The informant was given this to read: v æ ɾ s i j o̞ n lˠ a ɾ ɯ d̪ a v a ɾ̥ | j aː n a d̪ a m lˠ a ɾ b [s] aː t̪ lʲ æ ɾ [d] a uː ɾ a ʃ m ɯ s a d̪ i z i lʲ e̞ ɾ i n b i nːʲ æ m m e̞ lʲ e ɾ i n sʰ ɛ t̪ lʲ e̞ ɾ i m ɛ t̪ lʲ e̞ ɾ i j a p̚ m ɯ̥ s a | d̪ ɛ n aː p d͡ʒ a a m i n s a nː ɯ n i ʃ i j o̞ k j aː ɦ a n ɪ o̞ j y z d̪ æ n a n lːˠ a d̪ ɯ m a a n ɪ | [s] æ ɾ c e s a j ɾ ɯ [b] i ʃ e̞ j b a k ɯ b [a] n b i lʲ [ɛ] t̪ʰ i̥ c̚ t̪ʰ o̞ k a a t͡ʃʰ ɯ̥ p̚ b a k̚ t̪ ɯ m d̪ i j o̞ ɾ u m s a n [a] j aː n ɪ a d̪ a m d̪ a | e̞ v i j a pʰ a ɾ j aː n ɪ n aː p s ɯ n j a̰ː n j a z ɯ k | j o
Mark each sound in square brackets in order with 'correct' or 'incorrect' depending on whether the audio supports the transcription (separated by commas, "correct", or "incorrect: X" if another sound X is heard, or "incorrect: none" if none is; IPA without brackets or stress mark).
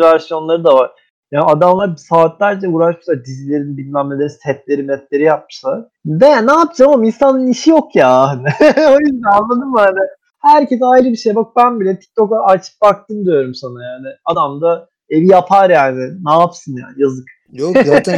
correct, incorrect: d͡ʒ, incorrect: h, correct, incorrect: æ, correct, correct